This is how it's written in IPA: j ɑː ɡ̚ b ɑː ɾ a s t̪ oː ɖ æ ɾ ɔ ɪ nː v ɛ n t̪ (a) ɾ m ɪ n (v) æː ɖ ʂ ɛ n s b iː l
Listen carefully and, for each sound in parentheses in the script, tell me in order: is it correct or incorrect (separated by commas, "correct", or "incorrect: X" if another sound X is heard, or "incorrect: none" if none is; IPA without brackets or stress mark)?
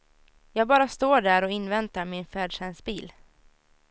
correct, incorrect: f